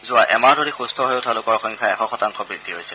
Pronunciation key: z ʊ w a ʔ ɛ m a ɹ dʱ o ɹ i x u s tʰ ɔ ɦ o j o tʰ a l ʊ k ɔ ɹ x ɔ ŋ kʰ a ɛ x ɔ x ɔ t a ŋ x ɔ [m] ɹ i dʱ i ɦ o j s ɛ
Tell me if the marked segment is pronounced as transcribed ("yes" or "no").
no